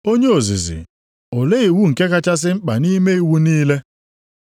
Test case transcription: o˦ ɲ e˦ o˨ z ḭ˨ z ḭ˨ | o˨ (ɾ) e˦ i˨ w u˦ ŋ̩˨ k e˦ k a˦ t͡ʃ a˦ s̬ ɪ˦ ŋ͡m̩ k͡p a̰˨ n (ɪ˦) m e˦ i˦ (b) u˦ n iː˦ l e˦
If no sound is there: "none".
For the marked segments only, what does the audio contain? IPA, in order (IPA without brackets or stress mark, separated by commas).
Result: l, i˦, w